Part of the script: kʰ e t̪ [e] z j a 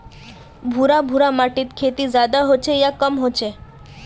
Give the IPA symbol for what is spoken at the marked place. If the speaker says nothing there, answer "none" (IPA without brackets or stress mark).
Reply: i